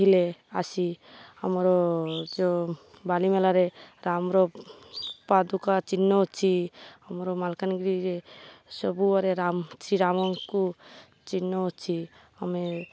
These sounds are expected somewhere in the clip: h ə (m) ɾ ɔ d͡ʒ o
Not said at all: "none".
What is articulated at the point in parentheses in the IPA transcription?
m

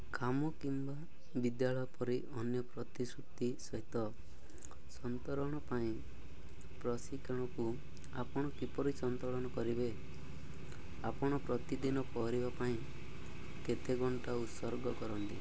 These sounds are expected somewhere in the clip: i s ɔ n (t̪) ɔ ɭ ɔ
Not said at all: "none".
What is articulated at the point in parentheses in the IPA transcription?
t̪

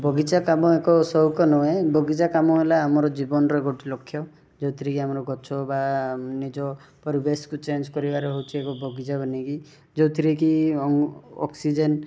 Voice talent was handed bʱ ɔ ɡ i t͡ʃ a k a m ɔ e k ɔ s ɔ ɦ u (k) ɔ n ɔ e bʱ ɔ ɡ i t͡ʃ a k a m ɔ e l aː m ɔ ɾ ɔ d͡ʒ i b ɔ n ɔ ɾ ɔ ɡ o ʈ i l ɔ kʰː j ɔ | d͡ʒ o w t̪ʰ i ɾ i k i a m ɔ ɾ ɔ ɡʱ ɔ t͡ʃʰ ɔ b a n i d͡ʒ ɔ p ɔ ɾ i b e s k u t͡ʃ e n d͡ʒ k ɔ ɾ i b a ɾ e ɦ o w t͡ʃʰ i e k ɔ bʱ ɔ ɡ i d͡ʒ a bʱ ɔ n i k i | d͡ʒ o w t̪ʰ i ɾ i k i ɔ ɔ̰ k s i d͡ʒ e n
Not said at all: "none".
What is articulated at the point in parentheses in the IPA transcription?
k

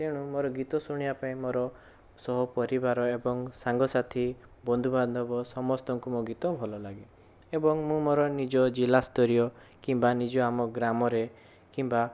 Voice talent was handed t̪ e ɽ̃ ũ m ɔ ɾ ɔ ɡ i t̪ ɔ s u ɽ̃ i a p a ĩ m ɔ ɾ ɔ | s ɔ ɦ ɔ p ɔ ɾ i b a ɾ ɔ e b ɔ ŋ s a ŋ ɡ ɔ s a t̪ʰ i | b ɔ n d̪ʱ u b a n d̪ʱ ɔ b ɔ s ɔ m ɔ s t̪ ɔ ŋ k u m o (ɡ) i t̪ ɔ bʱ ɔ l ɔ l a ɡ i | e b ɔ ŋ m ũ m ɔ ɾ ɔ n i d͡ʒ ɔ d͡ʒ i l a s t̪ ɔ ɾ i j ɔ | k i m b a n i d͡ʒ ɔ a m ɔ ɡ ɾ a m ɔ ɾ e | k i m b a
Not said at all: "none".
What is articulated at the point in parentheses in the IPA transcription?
ɡ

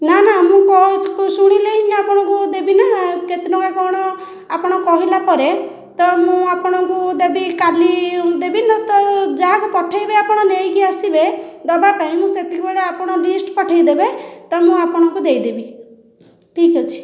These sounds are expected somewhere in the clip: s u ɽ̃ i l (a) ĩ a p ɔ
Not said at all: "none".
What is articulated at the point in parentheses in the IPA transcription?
e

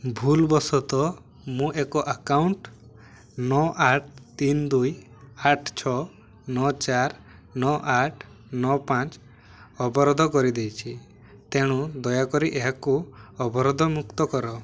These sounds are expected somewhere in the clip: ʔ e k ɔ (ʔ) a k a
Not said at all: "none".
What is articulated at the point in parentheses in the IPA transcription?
ʔ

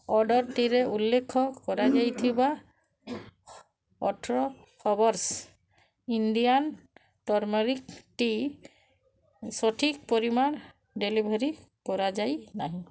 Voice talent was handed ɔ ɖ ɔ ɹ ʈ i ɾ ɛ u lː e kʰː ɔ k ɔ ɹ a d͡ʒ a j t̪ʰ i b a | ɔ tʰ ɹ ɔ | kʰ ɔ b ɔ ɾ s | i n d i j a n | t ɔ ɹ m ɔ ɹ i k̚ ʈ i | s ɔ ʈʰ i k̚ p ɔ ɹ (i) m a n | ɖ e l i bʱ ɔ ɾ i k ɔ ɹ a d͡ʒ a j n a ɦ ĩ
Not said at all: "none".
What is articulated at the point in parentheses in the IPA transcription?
i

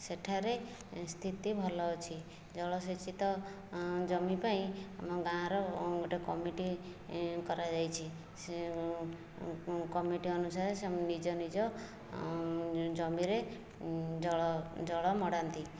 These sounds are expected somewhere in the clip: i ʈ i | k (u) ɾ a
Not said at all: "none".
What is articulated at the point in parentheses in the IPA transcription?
ɔ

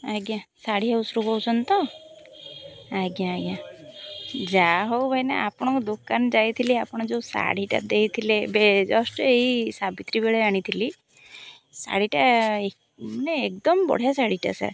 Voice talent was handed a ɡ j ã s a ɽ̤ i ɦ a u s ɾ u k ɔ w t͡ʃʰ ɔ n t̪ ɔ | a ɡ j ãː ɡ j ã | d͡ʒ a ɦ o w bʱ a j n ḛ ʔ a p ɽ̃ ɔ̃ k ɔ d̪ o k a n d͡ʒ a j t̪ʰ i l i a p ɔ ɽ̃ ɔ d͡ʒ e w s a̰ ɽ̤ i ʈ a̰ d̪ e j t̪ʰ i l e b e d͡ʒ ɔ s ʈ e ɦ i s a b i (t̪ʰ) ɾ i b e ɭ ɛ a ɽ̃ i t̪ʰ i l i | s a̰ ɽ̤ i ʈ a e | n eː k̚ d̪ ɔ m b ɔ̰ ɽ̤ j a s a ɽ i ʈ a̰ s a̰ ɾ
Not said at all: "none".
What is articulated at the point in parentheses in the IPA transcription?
t̪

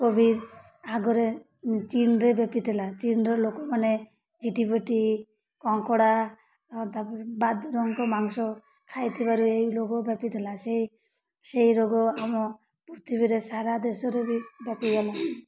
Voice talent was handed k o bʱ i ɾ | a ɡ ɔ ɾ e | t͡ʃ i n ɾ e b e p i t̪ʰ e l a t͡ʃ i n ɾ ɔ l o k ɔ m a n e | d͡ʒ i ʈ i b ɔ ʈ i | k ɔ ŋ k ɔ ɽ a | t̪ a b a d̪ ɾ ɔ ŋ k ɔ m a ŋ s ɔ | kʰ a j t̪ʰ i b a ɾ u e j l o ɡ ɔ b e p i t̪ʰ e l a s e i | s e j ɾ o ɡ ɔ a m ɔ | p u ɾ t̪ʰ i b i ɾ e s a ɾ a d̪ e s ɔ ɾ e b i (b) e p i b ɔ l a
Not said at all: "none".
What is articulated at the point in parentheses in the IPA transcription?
b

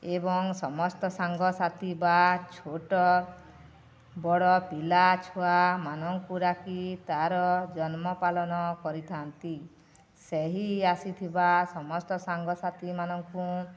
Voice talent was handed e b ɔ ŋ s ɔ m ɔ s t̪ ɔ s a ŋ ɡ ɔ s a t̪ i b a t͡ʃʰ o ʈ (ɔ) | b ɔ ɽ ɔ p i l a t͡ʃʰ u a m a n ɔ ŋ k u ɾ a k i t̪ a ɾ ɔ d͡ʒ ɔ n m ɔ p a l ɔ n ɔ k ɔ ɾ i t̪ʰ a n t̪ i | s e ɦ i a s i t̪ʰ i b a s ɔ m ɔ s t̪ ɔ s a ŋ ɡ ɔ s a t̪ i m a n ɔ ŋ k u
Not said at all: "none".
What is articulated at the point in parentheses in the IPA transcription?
ɔ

